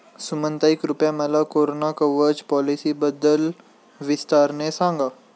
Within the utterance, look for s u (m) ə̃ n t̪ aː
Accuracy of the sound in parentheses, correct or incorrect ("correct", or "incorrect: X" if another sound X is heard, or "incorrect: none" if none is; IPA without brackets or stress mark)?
correct